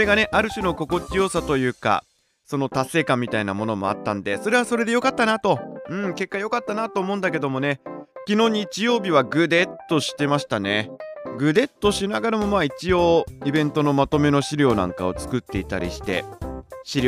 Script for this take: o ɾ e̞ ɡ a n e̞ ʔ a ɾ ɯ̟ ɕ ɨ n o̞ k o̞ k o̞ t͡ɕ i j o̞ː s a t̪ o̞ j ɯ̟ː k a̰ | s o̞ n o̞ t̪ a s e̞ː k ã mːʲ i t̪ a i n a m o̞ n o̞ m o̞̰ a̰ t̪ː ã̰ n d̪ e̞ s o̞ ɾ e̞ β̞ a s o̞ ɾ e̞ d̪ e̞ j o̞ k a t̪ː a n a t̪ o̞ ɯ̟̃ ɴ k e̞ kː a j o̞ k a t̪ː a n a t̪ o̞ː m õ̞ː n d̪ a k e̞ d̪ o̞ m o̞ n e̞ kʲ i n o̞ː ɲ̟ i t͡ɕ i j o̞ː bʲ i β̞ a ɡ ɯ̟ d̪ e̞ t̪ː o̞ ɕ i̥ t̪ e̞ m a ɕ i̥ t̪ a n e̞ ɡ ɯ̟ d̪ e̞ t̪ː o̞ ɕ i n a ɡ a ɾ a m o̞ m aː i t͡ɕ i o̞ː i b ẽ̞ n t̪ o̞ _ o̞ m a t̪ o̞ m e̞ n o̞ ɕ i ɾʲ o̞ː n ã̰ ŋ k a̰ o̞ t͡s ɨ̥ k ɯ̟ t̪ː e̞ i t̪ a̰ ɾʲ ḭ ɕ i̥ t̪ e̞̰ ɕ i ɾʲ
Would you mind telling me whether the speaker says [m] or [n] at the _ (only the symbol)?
n